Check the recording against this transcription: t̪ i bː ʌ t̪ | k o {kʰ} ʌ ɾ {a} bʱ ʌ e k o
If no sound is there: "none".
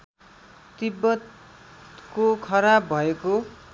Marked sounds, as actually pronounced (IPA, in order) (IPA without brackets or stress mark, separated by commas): kʰ, a